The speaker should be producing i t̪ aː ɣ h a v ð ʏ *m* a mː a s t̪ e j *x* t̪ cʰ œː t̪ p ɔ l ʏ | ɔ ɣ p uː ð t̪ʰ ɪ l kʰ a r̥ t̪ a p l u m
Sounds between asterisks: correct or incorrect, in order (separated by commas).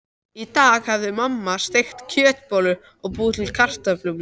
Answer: correct, correct